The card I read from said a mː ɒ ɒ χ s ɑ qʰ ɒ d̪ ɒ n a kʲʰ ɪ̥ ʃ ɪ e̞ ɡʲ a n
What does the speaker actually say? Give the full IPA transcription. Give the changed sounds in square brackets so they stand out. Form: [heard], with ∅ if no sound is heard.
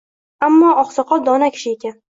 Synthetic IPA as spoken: a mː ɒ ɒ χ s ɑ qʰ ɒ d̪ ɒ n a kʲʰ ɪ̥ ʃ ɪ e̞ [kʲ] a n